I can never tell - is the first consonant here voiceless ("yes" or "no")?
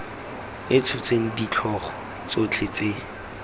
yes